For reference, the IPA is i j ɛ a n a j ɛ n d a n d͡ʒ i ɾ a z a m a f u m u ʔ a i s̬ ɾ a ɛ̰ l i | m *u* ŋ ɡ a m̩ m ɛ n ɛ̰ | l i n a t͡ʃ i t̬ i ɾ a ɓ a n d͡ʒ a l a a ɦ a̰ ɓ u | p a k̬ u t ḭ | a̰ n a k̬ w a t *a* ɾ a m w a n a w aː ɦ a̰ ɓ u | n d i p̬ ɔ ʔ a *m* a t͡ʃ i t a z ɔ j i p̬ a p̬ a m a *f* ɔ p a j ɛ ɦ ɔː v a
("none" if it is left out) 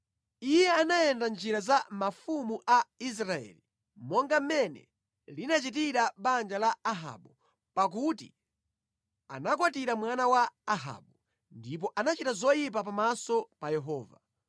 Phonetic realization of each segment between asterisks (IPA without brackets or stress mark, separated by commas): ɔ, i, n, s